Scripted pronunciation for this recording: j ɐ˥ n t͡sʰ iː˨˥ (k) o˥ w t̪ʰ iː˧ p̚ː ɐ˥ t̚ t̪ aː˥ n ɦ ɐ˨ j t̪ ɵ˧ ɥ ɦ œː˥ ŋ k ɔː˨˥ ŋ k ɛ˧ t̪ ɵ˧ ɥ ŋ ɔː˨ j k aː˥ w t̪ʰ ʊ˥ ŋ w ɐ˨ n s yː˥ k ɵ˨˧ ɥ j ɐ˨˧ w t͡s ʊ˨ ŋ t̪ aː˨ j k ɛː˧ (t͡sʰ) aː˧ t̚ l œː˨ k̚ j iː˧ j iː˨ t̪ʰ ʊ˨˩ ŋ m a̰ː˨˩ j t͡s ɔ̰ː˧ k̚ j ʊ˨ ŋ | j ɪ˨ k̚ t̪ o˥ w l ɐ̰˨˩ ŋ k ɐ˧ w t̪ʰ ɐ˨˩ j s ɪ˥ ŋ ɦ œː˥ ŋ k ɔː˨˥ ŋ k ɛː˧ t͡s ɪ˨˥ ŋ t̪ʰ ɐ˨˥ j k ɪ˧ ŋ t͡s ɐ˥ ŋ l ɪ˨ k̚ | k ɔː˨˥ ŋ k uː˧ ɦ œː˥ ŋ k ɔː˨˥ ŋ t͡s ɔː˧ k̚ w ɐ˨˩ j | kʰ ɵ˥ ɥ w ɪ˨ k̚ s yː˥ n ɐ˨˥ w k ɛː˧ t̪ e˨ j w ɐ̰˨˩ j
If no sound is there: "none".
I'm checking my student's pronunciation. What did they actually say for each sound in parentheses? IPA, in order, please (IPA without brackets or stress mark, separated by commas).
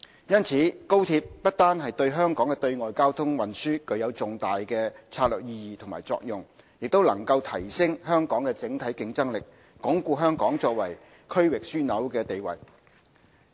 k, t͡sʰ